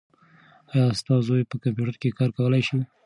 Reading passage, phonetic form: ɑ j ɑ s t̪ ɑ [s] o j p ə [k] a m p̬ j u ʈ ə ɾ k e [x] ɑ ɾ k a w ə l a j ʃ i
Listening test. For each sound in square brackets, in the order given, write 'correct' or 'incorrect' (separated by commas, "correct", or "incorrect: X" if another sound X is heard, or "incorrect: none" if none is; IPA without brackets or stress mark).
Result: incorrect: z, correct, incorrect: k